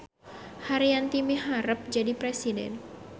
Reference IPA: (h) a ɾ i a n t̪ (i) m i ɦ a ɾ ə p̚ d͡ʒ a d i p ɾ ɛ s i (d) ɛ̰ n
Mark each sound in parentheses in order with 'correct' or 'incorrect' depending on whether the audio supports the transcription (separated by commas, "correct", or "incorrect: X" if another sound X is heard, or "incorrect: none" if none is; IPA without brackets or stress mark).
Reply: correct, correct, correct